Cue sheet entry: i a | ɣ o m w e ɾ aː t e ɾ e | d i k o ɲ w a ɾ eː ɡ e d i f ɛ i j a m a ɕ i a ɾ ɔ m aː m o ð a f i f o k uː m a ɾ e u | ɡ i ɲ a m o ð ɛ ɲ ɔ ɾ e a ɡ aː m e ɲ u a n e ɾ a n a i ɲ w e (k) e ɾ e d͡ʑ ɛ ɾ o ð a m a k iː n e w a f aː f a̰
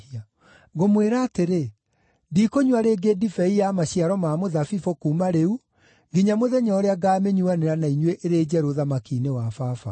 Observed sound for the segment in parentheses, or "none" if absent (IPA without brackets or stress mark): ʔ